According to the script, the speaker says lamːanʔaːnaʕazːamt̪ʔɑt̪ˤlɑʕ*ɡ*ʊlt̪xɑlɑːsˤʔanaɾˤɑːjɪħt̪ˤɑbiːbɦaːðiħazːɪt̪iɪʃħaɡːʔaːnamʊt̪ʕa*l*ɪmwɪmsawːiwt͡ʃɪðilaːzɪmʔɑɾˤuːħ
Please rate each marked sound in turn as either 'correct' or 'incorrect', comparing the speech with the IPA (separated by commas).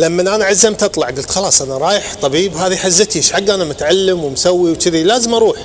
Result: correct, incorrect